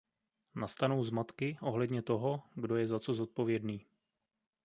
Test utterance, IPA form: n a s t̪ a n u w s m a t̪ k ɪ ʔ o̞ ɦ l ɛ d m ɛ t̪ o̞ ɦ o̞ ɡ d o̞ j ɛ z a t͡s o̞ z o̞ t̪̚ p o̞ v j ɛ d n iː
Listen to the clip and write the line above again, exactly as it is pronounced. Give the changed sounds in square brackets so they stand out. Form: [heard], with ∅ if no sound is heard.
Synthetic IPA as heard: n a s t̪ a n [o] w [z] m a t̪ k ɪ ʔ o̞ ɦ l ɛ d [ɲ] ɛ t̪ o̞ ɦ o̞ ɡ d o̞ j ɛ z a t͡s o̞ z o̞ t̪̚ p o̞ v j ɛ d n iː